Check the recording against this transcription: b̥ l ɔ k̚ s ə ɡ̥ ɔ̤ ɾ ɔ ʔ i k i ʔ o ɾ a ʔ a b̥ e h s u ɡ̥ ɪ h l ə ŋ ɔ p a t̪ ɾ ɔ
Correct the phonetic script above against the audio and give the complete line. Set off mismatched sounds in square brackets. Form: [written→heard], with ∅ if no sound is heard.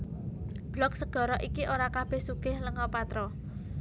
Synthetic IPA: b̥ l ɔ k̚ s ə ɡ̥ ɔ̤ ɾ ɔ ʔ i k i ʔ o ɾ a [ʔ→k] a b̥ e h s u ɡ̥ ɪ h l ə ŋ ɔ p a t̪ ɾ ɔ